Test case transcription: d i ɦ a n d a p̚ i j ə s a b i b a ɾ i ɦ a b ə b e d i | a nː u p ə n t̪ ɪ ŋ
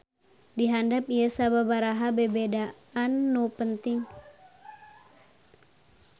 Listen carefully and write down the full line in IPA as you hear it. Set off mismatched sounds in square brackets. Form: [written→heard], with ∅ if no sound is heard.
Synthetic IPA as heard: d i ɦ a n d a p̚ i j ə s a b [i→a] b a ɾ [i→a] ɦ a b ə b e d [i→a] | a nː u p ə n t̪ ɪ ŋ